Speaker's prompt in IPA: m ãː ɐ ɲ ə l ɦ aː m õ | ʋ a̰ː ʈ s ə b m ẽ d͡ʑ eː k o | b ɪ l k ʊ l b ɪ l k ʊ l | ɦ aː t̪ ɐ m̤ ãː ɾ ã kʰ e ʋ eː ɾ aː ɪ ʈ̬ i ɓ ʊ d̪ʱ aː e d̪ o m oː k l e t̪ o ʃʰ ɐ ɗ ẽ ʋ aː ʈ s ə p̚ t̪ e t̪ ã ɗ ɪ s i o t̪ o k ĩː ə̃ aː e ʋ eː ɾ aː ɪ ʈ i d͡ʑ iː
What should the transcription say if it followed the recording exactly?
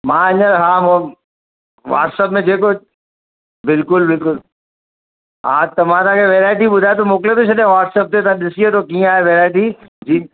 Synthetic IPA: m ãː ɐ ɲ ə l ɦ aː m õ | ʋ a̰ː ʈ s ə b m ẽ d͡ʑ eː k o | b ɪ l k ʊ l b ɪ l k ʊ l | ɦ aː t̪ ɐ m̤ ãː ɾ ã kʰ e ʋ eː ɾ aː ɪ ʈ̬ i ɓ ʊ d̪ʱ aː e t̪ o m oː k l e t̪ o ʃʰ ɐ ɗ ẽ ʋ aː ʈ s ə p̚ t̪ e t̪ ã ɗ ɪ s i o t̪ o k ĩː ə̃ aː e ʋ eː ɾ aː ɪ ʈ i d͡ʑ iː